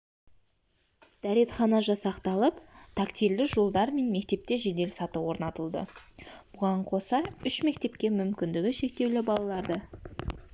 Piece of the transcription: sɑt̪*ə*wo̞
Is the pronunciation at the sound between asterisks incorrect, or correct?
correct